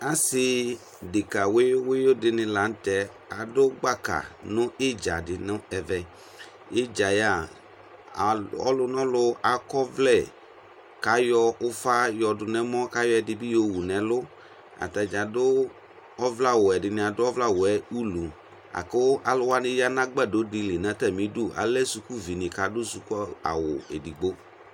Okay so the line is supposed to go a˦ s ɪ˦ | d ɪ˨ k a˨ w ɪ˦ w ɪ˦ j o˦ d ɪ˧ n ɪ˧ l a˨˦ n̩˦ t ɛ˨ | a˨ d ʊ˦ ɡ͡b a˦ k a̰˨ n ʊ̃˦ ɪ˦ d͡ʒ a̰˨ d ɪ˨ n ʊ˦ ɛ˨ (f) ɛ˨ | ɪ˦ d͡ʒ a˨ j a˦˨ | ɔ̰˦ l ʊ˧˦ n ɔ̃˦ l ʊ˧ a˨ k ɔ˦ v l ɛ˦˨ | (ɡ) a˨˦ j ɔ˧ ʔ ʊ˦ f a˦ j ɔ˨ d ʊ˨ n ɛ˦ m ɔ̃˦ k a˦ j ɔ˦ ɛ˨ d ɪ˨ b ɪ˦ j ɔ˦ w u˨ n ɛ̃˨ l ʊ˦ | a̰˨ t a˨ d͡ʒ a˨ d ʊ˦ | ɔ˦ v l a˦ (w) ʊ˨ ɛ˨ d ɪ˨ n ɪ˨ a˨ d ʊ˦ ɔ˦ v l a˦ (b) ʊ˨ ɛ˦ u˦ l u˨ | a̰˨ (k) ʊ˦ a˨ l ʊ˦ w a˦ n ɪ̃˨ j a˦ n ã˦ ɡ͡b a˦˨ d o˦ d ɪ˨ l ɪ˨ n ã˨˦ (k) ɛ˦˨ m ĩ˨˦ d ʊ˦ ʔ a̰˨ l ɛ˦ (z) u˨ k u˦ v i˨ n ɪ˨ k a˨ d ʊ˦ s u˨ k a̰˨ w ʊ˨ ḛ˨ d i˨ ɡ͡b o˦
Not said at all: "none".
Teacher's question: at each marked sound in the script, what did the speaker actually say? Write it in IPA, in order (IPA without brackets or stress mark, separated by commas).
v, k, w, w, k, t, s